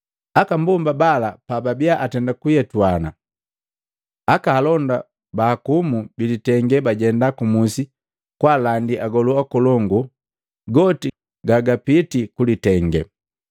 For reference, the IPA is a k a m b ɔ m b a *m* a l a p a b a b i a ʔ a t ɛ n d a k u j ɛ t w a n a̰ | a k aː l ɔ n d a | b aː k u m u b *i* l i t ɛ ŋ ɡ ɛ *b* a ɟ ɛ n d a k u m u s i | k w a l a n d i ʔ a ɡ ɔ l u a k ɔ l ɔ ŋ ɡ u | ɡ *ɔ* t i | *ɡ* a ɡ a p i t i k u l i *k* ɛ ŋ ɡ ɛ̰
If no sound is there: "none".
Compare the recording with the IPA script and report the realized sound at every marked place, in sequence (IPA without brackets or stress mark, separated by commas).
b, i, b, ɔ, ɡ, t